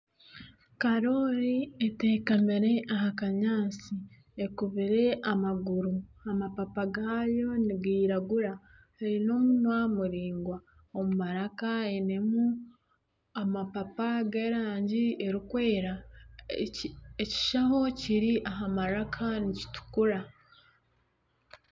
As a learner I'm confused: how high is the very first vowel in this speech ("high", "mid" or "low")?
low